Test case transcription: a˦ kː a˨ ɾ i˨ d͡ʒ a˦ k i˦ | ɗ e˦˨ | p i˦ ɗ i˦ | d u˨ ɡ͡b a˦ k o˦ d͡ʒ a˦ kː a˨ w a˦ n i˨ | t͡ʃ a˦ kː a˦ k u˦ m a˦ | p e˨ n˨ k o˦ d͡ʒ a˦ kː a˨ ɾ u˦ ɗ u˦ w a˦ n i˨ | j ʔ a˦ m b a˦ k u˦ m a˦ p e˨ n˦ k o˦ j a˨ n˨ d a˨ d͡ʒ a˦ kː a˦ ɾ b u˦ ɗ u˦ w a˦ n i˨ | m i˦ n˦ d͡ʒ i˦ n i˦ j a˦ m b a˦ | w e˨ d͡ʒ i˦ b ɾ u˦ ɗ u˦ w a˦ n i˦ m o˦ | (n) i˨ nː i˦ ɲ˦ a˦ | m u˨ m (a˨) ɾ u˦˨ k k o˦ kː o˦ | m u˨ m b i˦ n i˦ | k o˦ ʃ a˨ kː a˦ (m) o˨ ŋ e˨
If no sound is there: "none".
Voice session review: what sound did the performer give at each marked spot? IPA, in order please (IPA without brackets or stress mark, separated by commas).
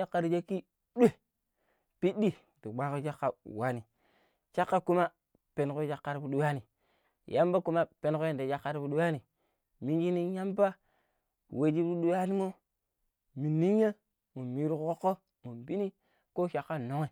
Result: m, i˨, n